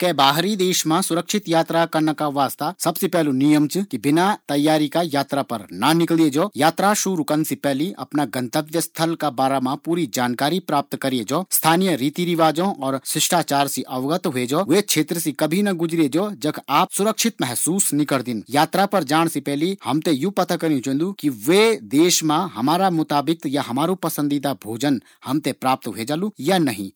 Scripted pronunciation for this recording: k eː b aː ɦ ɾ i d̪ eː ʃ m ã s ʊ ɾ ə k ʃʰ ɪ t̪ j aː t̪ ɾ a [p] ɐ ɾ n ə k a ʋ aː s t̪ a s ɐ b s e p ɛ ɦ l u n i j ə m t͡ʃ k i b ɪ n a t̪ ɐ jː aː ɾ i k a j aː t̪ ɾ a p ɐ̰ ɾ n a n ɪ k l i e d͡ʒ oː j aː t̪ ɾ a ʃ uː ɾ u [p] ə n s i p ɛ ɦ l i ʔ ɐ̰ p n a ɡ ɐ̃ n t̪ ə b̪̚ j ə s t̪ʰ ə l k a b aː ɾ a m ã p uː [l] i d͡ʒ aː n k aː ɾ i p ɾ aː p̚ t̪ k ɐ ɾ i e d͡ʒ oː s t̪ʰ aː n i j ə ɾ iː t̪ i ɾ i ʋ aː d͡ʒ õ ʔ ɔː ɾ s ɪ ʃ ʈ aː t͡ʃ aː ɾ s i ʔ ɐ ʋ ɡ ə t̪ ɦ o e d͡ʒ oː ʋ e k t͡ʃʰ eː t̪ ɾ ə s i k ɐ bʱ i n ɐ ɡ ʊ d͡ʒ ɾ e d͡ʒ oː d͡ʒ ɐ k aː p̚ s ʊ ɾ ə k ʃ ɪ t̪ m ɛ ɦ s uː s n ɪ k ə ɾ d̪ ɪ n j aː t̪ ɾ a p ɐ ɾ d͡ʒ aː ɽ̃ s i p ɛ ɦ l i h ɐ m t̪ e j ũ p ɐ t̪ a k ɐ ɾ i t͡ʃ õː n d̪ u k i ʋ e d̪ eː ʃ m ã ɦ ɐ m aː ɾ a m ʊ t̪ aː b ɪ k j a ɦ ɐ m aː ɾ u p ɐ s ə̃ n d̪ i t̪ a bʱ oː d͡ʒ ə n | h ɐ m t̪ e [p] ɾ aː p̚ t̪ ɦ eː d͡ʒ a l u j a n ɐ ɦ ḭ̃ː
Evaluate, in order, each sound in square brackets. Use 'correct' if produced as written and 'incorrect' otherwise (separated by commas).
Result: incorrect, incorrect, incorrect, correct